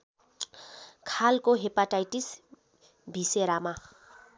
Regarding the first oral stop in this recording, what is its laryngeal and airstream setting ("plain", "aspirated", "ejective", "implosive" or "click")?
aspirated